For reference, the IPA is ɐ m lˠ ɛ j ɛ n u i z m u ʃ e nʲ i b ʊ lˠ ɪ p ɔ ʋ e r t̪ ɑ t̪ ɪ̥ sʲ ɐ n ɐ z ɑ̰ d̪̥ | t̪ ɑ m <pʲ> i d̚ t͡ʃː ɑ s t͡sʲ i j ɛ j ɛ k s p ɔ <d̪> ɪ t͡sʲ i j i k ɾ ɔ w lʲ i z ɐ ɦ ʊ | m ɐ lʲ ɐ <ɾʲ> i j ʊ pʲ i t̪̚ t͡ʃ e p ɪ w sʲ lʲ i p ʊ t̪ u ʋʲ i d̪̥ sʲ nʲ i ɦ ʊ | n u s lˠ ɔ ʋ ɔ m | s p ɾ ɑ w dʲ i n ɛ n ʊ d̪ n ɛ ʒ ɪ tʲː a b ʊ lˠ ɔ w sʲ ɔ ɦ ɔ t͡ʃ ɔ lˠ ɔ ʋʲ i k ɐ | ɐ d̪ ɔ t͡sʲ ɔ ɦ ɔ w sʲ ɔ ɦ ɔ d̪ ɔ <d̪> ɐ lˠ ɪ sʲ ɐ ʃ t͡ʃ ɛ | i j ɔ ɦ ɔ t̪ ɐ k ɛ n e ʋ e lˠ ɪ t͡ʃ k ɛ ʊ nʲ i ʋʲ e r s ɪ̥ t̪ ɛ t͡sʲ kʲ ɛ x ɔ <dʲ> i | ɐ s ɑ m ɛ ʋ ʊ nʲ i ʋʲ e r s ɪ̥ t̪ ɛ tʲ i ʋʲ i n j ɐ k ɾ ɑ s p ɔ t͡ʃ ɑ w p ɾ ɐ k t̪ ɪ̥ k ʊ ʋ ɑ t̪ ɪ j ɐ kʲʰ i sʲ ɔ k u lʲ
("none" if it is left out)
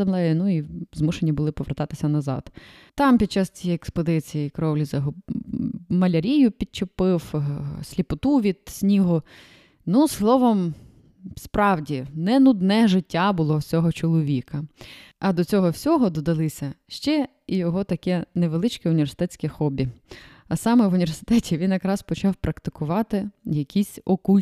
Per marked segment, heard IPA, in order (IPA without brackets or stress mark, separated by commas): pʲ, d̪, ɾʲ, d̪, bʲ